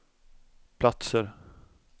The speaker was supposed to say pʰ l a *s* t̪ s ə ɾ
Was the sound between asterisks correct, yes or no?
no